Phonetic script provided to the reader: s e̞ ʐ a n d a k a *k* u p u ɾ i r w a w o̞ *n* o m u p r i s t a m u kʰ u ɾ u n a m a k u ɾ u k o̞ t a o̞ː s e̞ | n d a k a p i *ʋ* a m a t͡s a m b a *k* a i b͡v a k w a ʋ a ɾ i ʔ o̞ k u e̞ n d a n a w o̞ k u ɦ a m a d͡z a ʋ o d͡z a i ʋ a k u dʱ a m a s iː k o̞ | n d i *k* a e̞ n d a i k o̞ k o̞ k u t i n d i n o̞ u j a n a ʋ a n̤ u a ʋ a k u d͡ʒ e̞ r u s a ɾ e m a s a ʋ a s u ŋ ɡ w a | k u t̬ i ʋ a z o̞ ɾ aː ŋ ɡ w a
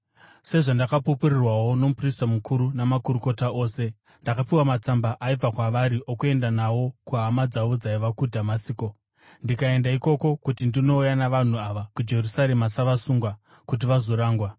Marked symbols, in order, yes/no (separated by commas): no, yes, no, no, yes